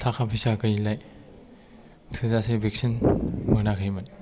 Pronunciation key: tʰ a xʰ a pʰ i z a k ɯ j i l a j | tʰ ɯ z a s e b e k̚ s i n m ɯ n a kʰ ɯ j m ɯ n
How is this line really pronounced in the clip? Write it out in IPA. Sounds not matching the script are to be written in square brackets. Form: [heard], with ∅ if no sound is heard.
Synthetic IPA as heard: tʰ a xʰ a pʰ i [s] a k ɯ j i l a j | tʰ ɯ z a s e b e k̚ s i n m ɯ n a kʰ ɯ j m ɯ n